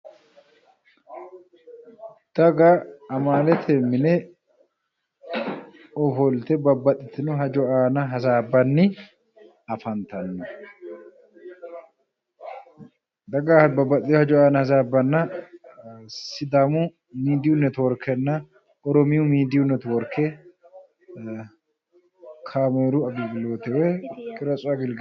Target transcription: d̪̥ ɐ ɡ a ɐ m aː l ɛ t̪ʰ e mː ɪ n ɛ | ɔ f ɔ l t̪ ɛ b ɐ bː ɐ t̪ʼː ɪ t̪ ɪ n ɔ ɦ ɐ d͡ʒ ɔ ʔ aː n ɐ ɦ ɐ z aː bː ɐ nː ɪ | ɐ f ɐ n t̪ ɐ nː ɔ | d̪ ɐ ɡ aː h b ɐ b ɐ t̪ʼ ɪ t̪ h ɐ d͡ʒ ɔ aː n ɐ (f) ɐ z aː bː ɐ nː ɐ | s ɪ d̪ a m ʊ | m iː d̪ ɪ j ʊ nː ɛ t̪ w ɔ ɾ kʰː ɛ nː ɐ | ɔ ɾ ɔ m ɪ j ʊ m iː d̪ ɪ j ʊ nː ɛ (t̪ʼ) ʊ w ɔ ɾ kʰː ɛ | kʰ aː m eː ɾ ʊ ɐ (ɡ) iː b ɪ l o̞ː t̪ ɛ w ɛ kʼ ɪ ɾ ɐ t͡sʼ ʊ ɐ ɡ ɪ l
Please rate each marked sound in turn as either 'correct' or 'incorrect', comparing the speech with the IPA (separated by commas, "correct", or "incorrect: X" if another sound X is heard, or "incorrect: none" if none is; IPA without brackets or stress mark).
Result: incorrect: h, incorrect: t̪, incorrect: b